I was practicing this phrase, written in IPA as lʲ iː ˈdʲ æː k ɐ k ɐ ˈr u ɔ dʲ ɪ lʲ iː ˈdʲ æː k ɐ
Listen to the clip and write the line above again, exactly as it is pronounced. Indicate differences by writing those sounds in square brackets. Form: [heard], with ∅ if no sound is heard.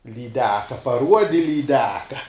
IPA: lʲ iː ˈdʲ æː k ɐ [p] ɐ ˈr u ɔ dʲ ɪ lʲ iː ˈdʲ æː k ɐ

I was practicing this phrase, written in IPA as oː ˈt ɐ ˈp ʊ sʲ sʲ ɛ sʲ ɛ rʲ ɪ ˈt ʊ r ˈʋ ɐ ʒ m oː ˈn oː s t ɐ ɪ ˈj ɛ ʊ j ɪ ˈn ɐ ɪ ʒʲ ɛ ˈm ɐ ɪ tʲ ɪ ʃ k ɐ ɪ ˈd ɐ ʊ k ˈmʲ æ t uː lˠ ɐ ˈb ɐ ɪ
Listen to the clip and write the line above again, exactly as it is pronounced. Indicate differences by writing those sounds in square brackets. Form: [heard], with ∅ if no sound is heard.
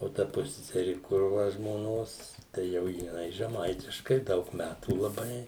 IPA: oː ˈt ɐ ˈp ʊ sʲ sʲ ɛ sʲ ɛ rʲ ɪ [ˈk] ʊ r ˈʋ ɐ ʒ m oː ˈn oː s t ɐ ɪ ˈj ɛ ʊ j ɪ ˈn ɐ ɪ ʒʲ ɛ ˈm ɐ ɪ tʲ ɪ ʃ k ɐ ɪ ˈd ɐ ʊ k ˈmʲ æ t uː lˠ ɐ ˈb ɐ ɪ

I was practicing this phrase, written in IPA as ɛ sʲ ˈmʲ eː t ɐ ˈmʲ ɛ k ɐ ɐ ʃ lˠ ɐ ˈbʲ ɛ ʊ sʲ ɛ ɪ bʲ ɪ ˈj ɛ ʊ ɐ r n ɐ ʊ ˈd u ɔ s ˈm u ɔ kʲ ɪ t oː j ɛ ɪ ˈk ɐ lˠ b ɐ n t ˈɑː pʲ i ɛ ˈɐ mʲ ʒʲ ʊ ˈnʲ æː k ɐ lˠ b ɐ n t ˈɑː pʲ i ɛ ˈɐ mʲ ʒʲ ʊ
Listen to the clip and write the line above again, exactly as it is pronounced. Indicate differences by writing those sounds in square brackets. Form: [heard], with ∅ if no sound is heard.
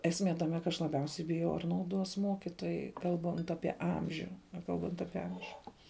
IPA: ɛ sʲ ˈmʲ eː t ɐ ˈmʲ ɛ k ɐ ɐ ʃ lˠ ɐ ˈbʲ ɛ ʊ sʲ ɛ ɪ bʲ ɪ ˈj ɛ ʊ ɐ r n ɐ ʊ ˈd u ɔ s ˈm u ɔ kʲ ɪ t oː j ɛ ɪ ˈk ɐ lˠ b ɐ n t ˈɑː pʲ i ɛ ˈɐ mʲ ʒʲ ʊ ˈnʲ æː k ɐ lˠ b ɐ n t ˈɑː pʲ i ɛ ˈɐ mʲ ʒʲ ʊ

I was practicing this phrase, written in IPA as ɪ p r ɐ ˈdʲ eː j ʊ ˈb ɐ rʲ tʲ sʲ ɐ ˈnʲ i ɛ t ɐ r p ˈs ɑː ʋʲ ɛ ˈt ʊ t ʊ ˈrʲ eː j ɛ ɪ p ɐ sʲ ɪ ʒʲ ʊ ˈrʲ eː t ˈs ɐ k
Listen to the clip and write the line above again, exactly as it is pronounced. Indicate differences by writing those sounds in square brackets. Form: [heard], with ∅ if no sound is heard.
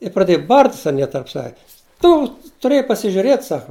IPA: ɪ p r ɐ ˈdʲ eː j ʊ ˈb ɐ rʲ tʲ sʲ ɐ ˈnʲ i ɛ t ɐ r p ˈs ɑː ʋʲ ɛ ˈt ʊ t ʊ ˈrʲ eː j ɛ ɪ p ɐ sʲ ɪ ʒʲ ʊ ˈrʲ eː t ˈs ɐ k

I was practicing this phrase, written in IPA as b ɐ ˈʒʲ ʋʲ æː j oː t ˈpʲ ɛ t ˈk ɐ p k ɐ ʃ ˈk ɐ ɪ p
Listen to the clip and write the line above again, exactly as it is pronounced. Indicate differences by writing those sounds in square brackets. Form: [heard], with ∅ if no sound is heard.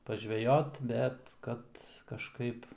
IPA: [p] ɐ ˈʒʲ ʋʲ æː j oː t [ˈbʲ] ɛ t ˈk ɐ [t] k ɐ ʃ ˈk ɐ ɪ p

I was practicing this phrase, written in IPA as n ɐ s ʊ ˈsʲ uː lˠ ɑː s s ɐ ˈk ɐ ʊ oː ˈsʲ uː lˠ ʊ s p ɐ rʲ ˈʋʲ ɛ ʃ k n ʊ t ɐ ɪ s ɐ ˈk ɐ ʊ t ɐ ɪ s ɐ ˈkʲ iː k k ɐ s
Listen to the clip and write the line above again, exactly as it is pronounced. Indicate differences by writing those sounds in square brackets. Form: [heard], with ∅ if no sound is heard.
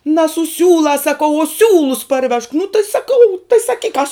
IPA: n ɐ s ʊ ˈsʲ uː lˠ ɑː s s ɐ ˈk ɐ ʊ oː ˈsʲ uː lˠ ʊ s p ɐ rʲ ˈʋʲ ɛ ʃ k n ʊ t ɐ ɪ s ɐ ˈk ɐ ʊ t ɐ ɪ s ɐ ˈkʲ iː k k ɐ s

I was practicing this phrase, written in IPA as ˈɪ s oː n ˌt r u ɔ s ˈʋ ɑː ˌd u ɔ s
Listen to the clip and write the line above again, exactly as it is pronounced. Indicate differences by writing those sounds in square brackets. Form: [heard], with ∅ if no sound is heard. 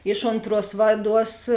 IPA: ˈɪ [ʃ] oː n ˌt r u ɔ s ˈʋ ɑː ˌd u ɔ s

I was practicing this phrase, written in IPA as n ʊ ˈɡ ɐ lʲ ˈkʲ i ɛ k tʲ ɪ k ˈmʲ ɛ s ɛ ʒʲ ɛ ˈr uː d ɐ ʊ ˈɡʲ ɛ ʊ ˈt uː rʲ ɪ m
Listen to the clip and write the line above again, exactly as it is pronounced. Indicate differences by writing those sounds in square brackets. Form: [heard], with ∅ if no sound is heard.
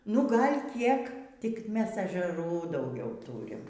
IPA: n ʊ ˈɡ ɐ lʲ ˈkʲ i ɛ k tʲ ɪ k ˈmʲ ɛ s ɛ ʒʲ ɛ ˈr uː d ɐ ʊ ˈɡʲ ɛ ʊ ˈt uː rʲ ɪ m

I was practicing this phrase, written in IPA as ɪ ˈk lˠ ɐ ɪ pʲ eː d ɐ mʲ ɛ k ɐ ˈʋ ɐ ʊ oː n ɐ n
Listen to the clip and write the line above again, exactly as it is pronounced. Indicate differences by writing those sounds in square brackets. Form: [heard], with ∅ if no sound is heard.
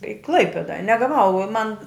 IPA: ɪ ˈk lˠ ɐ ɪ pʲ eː d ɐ [nʲ] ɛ [ɡ] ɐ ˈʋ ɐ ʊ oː [m] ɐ n

